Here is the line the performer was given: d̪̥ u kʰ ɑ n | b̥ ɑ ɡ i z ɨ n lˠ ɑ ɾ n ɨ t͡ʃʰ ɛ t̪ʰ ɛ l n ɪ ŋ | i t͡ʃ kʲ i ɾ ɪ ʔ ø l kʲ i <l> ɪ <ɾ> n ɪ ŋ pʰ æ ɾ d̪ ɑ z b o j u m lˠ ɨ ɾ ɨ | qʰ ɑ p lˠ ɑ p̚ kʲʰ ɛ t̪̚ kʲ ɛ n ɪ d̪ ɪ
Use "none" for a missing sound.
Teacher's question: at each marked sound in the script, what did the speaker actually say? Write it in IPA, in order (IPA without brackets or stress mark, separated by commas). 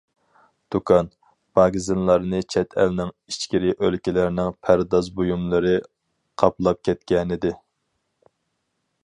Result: l, ɾ